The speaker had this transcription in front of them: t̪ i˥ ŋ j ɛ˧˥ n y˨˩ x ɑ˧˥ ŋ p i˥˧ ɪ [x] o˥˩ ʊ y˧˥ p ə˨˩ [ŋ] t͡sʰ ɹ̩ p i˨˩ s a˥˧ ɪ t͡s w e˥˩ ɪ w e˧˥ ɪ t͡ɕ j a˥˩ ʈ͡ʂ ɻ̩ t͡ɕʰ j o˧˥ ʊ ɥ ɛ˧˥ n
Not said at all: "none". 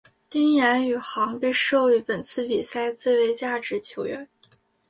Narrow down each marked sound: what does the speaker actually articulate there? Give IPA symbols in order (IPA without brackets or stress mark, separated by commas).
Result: ʂ, n